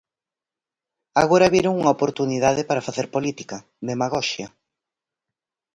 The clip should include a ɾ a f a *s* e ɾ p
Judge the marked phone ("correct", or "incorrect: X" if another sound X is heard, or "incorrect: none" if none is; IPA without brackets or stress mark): incorrect: θ